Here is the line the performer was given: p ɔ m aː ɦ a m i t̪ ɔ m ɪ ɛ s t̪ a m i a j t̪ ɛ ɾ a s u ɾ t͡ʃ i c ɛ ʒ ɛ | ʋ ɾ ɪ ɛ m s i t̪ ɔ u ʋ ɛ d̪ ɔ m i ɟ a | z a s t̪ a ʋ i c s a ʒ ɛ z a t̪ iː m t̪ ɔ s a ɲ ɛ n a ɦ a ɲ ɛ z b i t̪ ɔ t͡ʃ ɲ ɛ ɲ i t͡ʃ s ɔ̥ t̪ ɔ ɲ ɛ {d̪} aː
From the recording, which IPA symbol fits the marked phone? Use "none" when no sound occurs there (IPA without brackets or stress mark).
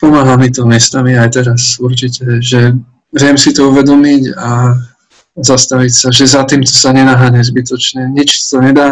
d̪